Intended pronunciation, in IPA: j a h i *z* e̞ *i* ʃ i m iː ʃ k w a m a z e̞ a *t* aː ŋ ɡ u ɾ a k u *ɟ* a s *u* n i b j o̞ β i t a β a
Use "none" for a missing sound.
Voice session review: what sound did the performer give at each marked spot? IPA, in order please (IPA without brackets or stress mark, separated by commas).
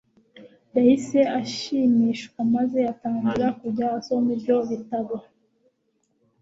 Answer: s, a, t, ɟ, o